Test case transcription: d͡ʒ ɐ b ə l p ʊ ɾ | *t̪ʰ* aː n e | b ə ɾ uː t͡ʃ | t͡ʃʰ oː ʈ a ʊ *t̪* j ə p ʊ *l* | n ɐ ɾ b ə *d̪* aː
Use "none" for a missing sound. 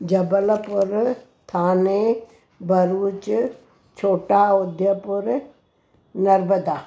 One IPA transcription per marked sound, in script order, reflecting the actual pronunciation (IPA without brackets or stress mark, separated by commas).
t̪ʰ, d̪, ɾ, d̪